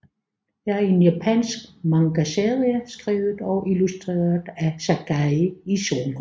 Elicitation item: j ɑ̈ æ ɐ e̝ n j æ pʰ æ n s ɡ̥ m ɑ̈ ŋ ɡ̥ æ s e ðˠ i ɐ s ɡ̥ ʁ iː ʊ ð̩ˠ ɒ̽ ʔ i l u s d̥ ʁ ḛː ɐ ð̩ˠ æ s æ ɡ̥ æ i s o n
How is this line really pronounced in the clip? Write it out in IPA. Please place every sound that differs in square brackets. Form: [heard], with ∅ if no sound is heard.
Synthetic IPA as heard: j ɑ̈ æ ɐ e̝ n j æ pʰ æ n s ɡ̥ m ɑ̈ ŋ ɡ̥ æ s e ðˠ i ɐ s ɡ̥ ʁ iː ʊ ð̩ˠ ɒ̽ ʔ i l u s d̥ ʁ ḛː ɐ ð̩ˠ æ s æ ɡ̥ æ i s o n